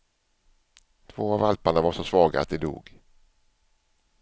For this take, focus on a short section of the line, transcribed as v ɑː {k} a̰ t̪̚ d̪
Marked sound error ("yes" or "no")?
yes